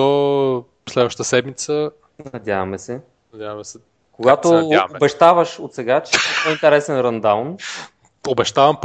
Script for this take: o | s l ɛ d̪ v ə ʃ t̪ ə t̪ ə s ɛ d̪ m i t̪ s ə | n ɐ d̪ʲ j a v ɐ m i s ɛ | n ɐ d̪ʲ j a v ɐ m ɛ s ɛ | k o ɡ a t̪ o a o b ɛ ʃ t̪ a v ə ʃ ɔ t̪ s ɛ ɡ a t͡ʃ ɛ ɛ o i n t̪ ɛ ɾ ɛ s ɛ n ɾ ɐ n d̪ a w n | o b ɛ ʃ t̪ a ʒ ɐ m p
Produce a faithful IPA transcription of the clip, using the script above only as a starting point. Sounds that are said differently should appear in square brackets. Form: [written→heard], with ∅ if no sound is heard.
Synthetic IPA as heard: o | s l ɛ d̪ v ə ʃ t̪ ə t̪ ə s ɛ d̪ m i t̪ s ə | n ɐ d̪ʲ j a v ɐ m [i→ɛ] s ɛ | n ɐ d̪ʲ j a v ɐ m ɛ s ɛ | k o ɡ a t̪ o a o b ɛ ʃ t̪ a v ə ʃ [ɔ→o] t̪ s ɛ ɡ a t͡ʃ ɛ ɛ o i n t̪ ɛ ɾ ɛ s ɛ n ɾ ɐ n d̪ a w n | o b ɛ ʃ t̪ a [ʒ→v] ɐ m p